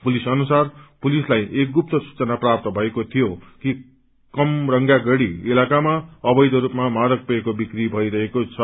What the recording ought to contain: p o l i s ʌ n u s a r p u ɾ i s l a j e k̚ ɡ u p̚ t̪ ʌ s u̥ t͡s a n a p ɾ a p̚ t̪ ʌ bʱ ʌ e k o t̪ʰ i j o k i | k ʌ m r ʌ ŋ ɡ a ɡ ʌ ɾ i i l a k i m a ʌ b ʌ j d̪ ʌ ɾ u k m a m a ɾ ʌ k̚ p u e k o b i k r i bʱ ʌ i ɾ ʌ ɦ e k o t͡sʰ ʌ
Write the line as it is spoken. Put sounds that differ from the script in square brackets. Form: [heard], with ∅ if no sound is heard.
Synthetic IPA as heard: p [u] l i s ʌ n u s a r p u [l] i s l a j e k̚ ɡ u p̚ t̪ ʌ s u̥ t͡s [ʌ] n a p [r] a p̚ t̪ ʌ bʱ ʌ e k o t̪ʰ i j o k i | k ʌ m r ʌ ŋ ɡ a ɡ ʌ [ɽ] i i l a k [a] m a ʌ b ʌ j d̪ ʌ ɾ u [p] m a m a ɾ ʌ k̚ p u e k o b i k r i bʱ ʌ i ɾ ʌ ɦ e k o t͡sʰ ʌ

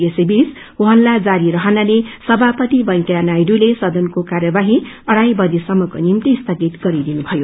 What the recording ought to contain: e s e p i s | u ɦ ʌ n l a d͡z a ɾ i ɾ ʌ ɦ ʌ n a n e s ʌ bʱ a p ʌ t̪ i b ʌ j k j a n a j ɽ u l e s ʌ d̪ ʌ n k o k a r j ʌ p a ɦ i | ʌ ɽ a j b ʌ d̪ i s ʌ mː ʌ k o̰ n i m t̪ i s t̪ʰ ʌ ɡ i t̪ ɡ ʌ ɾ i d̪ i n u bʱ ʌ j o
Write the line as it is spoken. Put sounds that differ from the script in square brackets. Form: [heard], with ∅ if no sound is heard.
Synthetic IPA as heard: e s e [b] i s | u ɦ ʌ n l a d͡z a ɾ i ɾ ʌ ɦ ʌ n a n e s ʌ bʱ a p ʌ t̪ i b ʌ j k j a n a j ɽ u l e s ʌ d̪ ʌ n k o k a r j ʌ [b] a ɦ i | ʌ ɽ a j b ʌ d̪ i s ʌ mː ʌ k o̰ n i m t̪ i s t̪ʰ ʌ ɡ i t̪ ɡ ʌ ɾ i d̪ i n u bʱ ʌ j o

